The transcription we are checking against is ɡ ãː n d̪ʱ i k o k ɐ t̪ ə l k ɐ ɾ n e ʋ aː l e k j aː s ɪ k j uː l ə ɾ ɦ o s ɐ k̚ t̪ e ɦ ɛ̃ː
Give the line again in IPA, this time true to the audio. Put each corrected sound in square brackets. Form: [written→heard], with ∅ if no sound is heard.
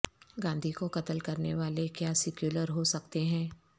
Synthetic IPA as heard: ɡ ãː n d̪ʱ i k o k ɐ t̪ ə l k ɐ ɾ n e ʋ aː l e k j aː s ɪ k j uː l ə ɾ ɦ o s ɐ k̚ t̪ e ɦ ɛ̃ː